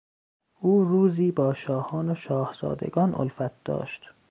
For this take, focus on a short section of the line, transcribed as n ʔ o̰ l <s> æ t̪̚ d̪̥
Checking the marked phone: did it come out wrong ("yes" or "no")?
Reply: yes